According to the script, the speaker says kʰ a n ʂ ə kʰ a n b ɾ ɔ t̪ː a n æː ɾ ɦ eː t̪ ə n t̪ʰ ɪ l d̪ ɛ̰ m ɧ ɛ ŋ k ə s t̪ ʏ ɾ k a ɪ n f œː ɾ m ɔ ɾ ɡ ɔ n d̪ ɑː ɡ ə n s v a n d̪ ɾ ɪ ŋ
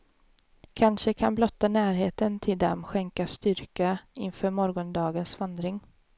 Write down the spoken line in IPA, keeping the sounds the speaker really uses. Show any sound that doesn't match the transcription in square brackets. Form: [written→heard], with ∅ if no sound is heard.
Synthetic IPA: kʰ a n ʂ ə kʰ a n b [ɾ→l] ɔ t̪ː a n æː ɾ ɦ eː t̪ ə n t̪ʰ ɪ l d̪ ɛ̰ m ɧ ɛ ŋ k [ə→a] s t̪ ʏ ɾ k a ɪ n f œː ɾ m ɔ ɾ ɡ ɔ n d̪ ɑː ɡ ə n s v a n d̪ ɾ ɪ ŋ